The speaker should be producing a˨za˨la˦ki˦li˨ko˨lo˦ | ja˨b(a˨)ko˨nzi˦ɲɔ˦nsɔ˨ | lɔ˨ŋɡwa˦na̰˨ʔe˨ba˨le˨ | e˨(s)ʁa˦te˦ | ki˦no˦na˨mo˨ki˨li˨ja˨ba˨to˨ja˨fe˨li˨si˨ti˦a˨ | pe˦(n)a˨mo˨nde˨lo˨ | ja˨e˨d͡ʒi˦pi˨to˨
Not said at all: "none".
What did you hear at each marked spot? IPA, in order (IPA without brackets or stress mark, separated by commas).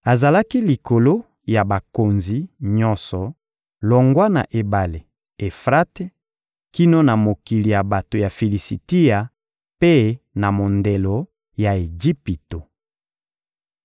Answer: a˨, f, n